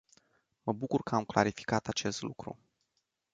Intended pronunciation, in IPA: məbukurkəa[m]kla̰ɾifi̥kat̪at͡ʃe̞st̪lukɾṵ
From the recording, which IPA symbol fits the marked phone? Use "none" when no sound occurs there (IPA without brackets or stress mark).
m